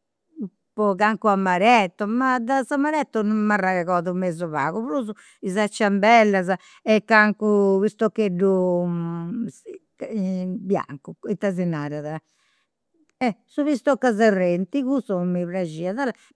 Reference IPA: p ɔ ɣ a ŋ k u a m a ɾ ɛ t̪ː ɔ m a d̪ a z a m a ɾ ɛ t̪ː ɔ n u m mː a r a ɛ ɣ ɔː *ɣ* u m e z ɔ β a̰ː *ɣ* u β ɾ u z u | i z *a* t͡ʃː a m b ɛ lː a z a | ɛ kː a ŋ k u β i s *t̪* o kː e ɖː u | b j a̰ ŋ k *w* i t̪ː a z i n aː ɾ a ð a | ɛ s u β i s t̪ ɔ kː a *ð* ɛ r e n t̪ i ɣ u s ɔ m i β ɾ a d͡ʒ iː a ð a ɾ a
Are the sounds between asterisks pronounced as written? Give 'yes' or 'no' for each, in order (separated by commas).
no, yes, yes, yes, no, no